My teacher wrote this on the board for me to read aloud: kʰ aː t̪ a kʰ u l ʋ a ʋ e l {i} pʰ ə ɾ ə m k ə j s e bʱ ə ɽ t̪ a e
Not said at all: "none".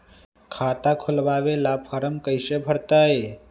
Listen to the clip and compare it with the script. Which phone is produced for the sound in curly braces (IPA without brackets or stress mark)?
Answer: a